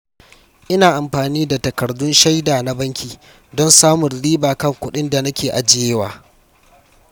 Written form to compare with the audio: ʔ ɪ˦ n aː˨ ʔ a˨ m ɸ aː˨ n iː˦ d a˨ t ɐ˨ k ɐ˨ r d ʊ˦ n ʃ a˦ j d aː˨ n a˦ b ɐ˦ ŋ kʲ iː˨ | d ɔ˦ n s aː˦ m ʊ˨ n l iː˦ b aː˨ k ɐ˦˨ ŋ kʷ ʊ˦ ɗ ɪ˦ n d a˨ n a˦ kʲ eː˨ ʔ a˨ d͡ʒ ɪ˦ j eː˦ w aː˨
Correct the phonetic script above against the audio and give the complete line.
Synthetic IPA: ʔ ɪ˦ n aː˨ ʔ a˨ m ɸ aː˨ n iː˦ d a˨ t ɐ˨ k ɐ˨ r d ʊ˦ n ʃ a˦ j d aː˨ n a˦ b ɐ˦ ŋ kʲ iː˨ | d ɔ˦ n s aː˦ m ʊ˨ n l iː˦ b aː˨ k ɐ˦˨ ŋ kʷ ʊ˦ ɗ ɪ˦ n d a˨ n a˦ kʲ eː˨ ʔ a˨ d͡ʒ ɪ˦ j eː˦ w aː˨